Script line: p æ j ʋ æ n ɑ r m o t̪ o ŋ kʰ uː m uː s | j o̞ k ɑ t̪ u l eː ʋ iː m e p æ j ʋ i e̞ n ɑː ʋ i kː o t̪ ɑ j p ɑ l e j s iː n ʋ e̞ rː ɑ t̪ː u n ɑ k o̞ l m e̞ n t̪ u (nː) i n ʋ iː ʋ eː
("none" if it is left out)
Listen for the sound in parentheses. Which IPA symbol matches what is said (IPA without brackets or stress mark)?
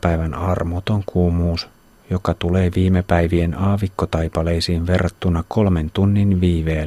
nː